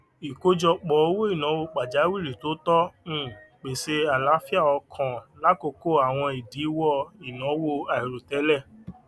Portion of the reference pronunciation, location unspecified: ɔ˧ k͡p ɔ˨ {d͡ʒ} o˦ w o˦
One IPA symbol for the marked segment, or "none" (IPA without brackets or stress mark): none